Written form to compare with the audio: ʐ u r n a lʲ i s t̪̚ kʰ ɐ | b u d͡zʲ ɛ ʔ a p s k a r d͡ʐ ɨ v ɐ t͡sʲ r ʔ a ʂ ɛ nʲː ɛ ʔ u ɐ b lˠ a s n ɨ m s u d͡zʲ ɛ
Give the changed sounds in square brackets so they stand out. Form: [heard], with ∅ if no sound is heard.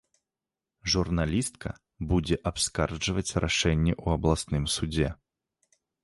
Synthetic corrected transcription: ʐ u r n a lʲ i s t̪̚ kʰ ɐ | b u d͡zʲ ɛ ʔ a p s k a r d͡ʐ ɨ v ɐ t͡sʲ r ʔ a ʂ ɛ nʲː ɛ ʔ u ɐ b lˠ a s n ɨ m s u d͡zʲ ɛ